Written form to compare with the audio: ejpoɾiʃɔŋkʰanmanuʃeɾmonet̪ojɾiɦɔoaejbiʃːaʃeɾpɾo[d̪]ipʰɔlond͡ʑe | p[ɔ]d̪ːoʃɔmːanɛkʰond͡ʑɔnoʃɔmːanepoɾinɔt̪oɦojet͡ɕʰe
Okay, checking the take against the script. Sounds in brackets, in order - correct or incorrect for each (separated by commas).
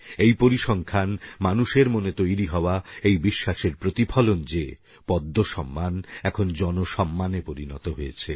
incorrect, correct